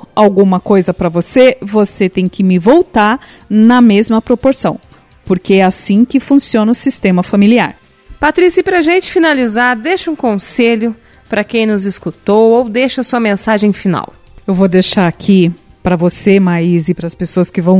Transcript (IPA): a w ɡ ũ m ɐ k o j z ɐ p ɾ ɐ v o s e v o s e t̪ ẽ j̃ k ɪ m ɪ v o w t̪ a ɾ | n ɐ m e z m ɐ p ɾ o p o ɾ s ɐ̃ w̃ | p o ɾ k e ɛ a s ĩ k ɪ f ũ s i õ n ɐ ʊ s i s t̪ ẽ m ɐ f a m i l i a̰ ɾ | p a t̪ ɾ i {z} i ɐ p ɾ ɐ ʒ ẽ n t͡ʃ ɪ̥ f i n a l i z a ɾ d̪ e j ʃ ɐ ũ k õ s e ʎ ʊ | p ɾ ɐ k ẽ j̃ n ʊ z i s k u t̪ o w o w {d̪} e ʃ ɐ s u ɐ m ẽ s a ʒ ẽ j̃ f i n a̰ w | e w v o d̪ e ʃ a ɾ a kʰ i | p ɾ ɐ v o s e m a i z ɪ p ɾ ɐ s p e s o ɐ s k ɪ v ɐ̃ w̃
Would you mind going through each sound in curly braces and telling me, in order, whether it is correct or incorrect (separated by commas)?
incorrect, correct